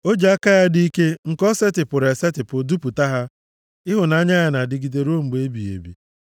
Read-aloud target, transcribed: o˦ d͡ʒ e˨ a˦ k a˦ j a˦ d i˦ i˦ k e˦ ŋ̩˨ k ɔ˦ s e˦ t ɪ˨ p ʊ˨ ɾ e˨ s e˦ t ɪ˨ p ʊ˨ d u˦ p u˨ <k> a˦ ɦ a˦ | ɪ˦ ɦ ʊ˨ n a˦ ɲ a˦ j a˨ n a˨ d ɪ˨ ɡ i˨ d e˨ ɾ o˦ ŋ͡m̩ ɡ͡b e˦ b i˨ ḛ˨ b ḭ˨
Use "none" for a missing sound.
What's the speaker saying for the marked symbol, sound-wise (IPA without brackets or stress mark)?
t